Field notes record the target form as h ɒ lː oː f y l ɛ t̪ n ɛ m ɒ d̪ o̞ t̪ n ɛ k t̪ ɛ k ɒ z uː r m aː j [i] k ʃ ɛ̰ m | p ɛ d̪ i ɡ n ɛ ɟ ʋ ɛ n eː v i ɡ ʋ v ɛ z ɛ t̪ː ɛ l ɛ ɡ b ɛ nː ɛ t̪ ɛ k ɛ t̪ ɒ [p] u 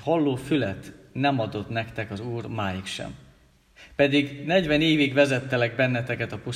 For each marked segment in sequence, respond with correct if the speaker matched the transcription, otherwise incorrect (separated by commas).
correct, correct